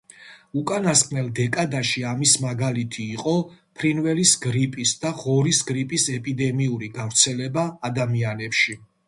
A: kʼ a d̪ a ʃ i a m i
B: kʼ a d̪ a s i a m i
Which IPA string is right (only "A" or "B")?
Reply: A